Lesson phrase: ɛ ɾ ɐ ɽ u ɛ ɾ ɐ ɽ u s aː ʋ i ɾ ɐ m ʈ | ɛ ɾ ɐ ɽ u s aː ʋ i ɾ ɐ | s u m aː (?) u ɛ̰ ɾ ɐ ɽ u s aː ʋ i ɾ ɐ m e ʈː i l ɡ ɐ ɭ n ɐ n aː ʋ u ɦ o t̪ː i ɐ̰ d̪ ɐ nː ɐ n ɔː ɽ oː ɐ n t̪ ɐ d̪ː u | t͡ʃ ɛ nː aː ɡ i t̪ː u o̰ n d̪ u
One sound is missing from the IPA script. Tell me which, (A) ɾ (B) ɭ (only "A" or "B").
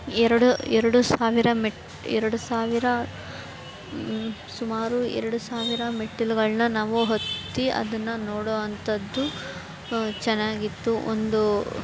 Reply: A